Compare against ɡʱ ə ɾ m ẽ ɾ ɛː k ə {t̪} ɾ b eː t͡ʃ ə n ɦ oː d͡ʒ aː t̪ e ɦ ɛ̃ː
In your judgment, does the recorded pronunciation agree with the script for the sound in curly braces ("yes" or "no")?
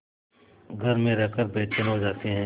no